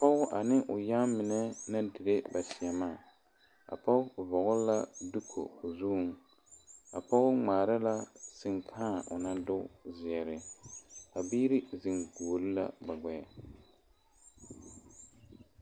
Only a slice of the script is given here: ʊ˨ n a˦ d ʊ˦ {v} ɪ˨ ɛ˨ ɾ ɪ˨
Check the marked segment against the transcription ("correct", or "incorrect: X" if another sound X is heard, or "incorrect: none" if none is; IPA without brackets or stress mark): incorrect: z